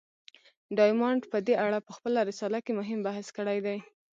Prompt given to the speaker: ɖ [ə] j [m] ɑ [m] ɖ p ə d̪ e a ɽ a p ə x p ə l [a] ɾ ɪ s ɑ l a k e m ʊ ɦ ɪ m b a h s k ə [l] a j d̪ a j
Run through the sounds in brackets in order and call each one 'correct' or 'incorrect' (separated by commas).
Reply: incorrect, correct, incorrect, correct, incorrect